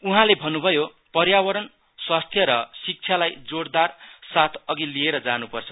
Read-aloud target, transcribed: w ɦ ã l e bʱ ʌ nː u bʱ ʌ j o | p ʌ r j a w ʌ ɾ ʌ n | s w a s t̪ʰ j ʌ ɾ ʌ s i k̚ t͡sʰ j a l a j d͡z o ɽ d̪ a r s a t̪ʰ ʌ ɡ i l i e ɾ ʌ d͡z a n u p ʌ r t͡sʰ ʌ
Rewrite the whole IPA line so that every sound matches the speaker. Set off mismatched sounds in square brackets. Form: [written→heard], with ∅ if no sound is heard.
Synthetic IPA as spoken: [w→u] ɦ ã l e bʱ ʌ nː u bʱ ʌ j o | p ʌ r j a w ʌ ɾ ʌ n | s w a s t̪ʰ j ʌ ɾ ʌ s i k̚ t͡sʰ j a l a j d͡z o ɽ d̪ a r s a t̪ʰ ʌ ɡ i l i e ɾ ʌ d͡z a n u p ʌ r t͡sʰ ʌ